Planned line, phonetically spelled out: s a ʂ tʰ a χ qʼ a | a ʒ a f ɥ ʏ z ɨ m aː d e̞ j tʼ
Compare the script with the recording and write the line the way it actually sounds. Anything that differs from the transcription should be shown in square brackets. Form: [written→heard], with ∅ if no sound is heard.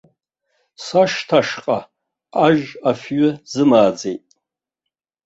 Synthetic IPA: s a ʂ tʰ a [χ→ʂ] qʼ a | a ʒ a f ɥ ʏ z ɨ m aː [d→d͡z] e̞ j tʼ